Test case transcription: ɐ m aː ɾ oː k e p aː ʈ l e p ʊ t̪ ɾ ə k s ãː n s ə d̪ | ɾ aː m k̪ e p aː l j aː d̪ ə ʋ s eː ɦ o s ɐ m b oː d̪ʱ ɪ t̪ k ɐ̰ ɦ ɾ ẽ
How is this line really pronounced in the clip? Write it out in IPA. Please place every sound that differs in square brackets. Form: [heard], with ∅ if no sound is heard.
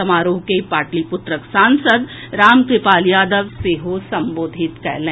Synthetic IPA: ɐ m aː ɾ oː k e p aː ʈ l [i] p ʊ t̪ ɾ ə k s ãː n s ə d̪ | ɾ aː m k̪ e p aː l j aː d̪ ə ʋ s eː ɦ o s ɐ m b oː d̪ʱ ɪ t̪ k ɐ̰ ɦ [l] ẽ